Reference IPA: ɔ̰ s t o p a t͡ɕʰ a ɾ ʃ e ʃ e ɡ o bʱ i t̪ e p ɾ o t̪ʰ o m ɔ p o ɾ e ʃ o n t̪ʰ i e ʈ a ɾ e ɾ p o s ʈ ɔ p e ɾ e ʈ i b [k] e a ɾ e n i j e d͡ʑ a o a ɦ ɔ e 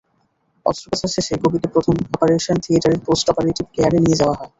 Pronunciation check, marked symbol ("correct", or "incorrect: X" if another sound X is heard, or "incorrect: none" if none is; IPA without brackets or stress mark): correct